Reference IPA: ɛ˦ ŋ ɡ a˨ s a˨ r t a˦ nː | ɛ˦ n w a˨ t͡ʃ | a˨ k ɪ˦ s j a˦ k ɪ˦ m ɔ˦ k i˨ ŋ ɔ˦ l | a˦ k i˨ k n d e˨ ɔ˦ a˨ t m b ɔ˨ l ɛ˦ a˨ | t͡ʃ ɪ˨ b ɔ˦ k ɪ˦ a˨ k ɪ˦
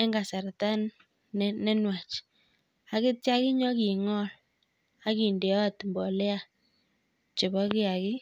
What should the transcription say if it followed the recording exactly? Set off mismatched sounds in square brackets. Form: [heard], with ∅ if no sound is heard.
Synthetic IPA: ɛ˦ ŋ ɡ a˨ s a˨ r t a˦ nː | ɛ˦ n w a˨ t͡ʃ | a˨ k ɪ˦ [t] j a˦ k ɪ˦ [ɲ] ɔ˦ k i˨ ŋ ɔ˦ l | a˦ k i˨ [∅] n d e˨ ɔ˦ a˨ t m b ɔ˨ l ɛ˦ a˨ | t͡ʃ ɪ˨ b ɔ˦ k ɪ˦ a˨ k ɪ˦